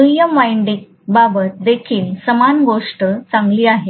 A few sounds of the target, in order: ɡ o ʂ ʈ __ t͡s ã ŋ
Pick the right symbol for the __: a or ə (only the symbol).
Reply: ə